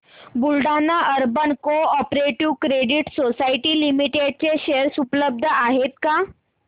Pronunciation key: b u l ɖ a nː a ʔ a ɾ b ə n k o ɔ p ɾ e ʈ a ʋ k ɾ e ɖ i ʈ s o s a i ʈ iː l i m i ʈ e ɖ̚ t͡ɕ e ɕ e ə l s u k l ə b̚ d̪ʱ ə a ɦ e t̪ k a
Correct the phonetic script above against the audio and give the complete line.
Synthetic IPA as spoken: b u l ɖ a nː a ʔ ə ɾ b ə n k o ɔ p ɾ e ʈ i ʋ k ɾ e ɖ i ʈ s o s a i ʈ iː l i m i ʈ e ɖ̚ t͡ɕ e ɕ e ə ɾ s u p l ə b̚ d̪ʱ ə a ɦ e t̪ k a